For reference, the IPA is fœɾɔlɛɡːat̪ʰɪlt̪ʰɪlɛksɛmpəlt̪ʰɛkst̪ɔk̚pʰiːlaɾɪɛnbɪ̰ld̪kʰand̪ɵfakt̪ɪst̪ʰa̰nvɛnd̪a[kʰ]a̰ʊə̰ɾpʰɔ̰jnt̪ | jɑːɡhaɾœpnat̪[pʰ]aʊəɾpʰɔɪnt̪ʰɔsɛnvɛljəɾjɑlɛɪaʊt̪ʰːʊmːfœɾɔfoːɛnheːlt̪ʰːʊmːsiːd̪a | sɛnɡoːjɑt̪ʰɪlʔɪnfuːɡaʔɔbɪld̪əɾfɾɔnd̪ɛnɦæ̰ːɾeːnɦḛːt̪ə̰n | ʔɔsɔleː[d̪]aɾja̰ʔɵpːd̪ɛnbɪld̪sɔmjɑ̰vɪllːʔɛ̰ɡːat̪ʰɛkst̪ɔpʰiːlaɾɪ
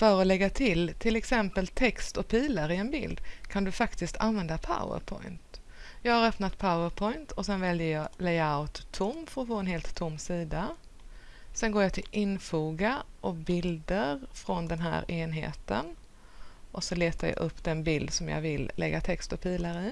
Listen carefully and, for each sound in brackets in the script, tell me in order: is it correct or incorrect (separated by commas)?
incorrect, correct, incorrect